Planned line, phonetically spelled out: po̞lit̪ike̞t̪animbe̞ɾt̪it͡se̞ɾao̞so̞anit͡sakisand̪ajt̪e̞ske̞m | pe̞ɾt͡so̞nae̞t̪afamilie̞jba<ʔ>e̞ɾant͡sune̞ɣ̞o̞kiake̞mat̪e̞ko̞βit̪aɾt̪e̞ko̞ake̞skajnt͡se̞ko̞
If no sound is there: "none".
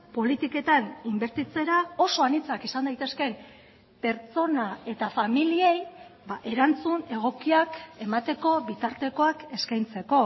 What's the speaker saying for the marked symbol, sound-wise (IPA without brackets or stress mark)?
ʔ